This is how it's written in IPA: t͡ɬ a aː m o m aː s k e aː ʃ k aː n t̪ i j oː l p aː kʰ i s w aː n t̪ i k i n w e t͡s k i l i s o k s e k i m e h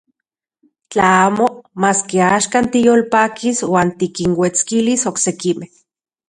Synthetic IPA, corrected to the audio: t͡ɬ a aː m o m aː s k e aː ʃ k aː n t̪ i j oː l p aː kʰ i s w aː n t̪ i k i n w e t͡s k i l i s o k s e k i m e h